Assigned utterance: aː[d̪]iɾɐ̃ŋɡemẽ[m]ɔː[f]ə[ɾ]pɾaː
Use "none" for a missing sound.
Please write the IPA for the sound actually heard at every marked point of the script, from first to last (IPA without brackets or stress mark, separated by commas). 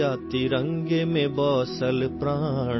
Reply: t̪, b, s, l